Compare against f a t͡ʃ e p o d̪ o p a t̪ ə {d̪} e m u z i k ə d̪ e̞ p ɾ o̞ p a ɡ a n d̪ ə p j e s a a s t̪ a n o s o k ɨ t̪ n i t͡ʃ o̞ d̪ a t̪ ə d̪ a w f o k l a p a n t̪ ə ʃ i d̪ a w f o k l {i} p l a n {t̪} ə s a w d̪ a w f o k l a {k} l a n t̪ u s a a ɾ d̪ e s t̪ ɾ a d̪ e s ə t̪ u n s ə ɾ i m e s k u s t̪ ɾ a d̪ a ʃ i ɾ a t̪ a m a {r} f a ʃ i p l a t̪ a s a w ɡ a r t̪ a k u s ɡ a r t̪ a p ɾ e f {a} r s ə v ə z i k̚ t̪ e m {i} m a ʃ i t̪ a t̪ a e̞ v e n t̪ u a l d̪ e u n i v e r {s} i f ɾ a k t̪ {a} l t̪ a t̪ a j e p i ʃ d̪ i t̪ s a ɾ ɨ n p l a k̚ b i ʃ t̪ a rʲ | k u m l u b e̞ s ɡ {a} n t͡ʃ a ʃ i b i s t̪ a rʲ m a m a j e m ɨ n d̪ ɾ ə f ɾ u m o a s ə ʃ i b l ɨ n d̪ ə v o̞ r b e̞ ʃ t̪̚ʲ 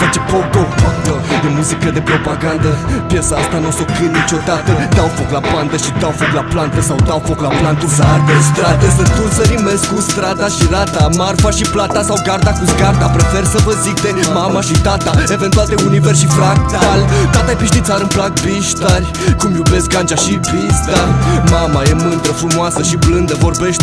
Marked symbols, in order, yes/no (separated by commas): yes, no, yes, no, yes, no, no, no, yes, yes